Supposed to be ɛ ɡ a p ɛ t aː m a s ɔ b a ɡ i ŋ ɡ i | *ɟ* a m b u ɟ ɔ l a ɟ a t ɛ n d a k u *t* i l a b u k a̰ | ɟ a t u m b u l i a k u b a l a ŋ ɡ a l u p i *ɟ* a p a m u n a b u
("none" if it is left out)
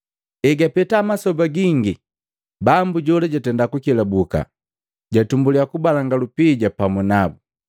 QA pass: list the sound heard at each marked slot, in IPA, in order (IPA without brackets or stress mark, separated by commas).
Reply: b, k, ɟ